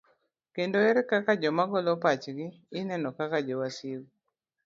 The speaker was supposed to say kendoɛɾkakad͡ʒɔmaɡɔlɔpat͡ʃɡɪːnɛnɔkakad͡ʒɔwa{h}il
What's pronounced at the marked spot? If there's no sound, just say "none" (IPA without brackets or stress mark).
s